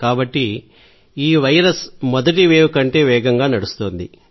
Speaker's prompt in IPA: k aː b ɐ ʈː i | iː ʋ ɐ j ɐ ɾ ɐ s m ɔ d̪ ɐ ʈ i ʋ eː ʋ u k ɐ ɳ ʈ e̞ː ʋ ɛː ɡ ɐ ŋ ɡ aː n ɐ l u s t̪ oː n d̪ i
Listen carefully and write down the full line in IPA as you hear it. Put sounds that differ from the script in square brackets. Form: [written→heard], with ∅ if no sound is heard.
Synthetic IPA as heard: k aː b ɐ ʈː i | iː ʋ ɐ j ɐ ɾ ɐ s m ɔ d̪ ɐ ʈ i ʋ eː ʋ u k ɐ ɳ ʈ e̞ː ʋ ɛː ɡ ɐ ŋ ɡ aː n ɐ [l→ɽ] u s t̪ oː n d̪ i